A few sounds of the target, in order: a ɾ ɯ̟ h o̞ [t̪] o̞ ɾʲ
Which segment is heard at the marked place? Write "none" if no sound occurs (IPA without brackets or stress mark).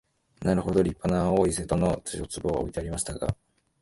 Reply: d̪